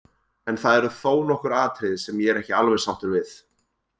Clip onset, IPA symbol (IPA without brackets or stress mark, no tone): ɛ